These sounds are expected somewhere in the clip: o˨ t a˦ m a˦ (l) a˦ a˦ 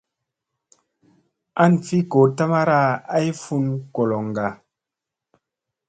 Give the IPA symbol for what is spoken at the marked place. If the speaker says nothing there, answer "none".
ɾ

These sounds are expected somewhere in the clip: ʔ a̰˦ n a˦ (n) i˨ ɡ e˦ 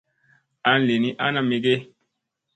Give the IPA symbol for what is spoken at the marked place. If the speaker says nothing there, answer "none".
m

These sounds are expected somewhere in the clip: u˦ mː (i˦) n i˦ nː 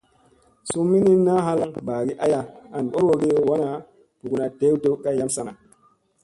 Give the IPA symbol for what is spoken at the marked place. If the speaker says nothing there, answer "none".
i˦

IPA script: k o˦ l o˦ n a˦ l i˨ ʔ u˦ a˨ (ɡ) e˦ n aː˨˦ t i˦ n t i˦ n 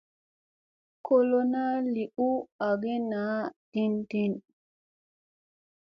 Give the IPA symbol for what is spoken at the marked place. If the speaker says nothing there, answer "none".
ɡ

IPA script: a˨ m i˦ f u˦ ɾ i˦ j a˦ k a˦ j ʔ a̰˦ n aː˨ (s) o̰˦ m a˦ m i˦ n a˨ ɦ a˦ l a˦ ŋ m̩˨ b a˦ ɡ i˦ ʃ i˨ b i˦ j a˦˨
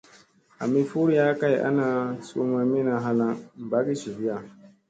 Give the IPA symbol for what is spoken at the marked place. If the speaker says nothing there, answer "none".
s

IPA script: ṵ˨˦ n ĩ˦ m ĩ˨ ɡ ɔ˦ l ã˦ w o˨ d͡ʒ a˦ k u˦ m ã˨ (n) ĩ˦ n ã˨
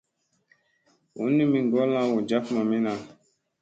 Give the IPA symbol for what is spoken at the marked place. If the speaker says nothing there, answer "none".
m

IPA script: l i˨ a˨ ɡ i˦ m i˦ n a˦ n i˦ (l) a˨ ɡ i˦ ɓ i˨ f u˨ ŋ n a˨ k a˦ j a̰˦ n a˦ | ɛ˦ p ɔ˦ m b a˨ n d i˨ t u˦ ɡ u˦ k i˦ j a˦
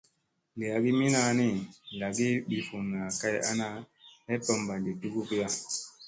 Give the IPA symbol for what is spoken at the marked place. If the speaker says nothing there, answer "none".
l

